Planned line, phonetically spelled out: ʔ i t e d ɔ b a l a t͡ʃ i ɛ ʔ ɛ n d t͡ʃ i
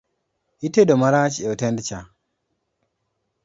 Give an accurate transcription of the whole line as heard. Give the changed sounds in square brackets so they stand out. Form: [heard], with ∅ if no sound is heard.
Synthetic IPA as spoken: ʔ i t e d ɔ [m] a [ɾ] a t͡ʃ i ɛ [t] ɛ n d t͡ʃ [a]

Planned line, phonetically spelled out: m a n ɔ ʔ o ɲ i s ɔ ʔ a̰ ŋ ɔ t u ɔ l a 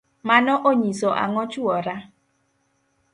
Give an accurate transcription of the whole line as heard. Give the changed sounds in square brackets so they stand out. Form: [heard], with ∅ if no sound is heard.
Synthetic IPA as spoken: m a n ɔ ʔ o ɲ i s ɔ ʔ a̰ ŋ ɔ [t͡ʃ] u ɔ [ɾ] a

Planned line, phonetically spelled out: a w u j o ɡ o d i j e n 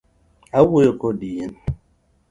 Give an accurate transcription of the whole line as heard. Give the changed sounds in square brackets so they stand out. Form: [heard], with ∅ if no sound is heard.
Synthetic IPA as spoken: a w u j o [k] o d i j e n

